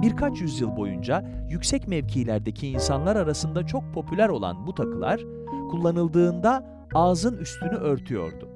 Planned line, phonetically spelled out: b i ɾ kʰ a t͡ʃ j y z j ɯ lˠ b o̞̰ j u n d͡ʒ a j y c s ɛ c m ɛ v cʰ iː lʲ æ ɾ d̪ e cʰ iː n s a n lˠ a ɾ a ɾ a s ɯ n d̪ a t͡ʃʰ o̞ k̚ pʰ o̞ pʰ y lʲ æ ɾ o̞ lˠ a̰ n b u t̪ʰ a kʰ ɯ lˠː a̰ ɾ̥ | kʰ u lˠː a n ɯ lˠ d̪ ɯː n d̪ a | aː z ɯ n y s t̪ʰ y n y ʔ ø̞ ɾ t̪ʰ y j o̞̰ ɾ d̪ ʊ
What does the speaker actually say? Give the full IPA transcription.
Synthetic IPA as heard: b i ɾ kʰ a t͡ʃ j y z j ɯ lˠ b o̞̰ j u n d͡ʒ a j y c s ɛ c m ɛ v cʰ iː lʲ æ ɾ d̪ e cʰ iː n s a n lˠ a ɾ a ɾ a s ɯ n d̪ a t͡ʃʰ o̞ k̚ pʰ o̞ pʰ y lʲ æ ɾ o̞ lˠ a̰ n b u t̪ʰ a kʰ ɯ lˠ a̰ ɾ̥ | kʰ u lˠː a n ɯ lˠ d̪ ɯː n d̪ a | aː z ɯ n y s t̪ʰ y n y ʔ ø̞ ɾ t̪ʰ y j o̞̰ ɾ d̪ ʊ